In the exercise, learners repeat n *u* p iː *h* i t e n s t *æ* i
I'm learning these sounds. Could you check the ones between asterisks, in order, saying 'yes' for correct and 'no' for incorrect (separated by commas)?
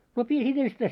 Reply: no, no, yes